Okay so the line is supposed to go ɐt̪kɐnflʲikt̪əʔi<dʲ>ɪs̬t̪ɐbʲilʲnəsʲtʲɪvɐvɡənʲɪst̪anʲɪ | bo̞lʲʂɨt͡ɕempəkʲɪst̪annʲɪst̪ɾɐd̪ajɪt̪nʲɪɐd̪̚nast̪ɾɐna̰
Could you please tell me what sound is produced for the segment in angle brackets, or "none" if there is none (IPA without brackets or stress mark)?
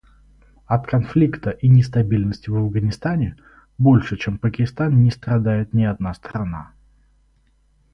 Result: nʲ